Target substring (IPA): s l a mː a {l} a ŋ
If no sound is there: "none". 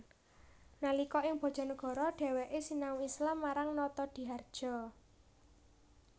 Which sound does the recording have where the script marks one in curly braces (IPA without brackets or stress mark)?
ɾ